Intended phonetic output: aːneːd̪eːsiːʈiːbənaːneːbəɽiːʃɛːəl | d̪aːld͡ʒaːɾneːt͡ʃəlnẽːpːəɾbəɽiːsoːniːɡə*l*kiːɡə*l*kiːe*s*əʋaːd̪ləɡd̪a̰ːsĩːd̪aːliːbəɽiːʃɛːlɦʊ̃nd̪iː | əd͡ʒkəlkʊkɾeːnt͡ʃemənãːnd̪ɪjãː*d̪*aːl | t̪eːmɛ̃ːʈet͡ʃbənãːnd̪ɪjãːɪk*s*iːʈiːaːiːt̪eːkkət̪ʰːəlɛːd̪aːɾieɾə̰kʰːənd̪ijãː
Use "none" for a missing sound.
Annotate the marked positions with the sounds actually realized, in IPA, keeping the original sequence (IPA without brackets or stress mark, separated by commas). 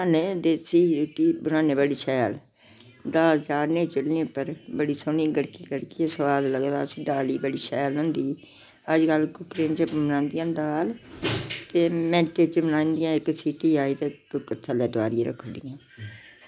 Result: ɽ, ɽ, s, d̪, s